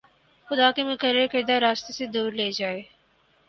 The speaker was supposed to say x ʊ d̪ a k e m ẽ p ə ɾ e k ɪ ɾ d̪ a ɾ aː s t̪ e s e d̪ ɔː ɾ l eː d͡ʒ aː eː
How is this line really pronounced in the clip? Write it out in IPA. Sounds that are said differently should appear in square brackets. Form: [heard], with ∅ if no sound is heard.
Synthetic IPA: x ʊ d̪ a k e m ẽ [k] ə ɾ e k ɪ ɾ d̪ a ɾ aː s t̪ e s e d̪ [uː] ɾ l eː d͡ʒ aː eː